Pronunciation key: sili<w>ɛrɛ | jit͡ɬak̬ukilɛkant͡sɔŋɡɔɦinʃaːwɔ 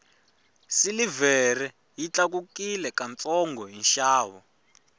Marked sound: incorrect: v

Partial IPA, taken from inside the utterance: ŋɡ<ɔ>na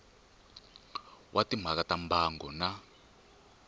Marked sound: correct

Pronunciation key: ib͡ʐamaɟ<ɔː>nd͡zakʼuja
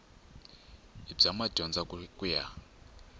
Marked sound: incorrect: ɔ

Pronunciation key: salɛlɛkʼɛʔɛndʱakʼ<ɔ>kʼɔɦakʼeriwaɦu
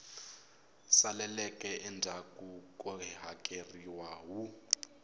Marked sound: incorrect: u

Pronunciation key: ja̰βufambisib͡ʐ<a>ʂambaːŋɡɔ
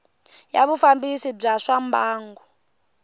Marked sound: correct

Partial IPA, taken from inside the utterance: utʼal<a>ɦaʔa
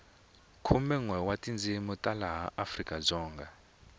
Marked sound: correct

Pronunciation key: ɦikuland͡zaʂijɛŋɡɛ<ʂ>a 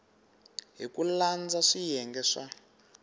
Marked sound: correct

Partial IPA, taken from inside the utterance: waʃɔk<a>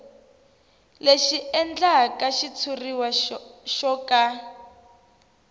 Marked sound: correct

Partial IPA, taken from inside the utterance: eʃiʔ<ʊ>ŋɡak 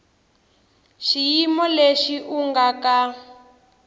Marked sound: incorrect: u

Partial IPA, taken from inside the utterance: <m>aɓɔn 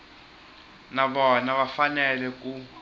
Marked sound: incorrect: n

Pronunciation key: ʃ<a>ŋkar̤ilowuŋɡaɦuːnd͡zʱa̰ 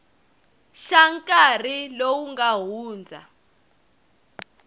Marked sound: correct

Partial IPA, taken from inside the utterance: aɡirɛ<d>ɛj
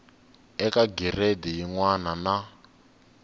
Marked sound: correct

